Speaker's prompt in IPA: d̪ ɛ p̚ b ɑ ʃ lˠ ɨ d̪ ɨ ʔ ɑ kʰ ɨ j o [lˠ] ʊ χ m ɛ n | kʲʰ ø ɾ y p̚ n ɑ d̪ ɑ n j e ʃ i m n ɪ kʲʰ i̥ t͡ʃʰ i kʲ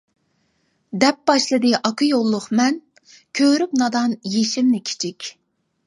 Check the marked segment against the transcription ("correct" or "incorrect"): incorrect